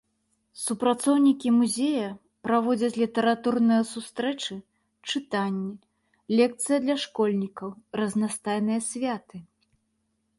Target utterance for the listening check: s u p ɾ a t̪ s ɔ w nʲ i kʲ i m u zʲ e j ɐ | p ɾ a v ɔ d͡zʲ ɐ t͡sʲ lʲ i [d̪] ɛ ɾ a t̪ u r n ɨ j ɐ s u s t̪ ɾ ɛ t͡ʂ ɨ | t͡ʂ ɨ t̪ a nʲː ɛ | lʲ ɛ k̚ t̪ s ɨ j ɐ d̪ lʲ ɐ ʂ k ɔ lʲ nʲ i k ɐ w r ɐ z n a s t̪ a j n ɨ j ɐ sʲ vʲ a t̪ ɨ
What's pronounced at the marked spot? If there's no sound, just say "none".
t̪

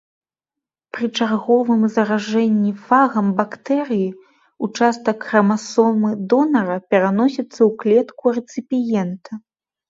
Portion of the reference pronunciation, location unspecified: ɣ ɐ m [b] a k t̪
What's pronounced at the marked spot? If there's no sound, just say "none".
b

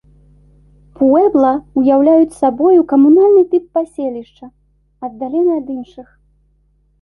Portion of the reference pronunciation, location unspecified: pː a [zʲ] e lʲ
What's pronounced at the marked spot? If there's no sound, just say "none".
sʲ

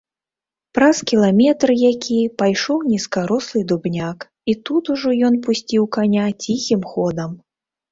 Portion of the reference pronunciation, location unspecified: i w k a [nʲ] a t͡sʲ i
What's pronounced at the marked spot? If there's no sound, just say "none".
nʲ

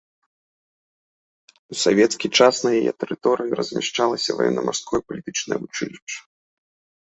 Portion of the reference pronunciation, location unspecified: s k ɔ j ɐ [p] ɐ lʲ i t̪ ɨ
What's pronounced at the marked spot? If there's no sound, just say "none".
p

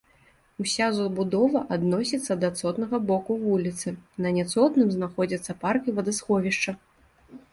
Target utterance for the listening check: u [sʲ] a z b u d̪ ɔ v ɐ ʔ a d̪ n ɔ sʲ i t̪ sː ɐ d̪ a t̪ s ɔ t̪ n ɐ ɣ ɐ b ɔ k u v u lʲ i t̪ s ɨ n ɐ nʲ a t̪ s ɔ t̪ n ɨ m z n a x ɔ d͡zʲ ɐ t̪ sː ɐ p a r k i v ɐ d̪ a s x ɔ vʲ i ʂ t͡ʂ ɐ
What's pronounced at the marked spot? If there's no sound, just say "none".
sʲ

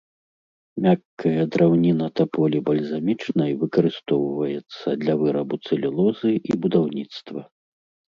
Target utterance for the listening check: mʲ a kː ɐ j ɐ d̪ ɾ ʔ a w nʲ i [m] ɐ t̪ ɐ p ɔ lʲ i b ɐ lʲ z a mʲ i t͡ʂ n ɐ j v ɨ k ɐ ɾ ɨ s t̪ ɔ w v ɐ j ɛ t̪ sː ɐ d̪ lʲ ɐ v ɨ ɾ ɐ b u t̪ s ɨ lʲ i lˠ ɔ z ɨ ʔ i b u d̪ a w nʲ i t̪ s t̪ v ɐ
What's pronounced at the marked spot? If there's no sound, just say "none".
n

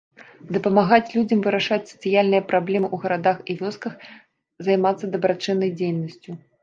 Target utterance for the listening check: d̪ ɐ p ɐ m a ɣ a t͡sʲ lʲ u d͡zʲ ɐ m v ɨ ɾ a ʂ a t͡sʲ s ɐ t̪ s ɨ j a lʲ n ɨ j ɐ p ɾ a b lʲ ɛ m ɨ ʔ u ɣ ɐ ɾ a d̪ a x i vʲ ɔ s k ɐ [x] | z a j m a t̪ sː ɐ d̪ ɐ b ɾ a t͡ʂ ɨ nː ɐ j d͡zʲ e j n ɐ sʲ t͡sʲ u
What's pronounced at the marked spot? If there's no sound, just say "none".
x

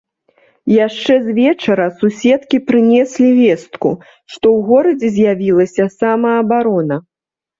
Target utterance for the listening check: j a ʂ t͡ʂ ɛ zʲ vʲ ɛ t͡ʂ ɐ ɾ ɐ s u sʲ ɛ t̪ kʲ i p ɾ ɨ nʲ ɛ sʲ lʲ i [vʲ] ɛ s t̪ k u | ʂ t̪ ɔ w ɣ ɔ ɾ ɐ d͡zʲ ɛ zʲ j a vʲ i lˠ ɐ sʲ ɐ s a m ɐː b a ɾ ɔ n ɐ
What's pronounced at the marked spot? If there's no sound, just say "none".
vʲ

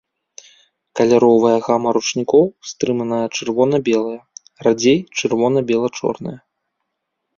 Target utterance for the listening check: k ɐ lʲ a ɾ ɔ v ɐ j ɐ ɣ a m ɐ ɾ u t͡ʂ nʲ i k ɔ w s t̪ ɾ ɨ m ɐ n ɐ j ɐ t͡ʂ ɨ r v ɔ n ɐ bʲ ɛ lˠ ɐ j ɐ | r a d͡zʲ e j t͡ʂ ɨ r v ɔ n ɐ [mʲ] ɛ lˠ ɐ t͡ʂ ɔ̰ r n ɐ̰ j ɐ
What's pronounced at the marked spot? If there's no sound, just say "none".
bʲ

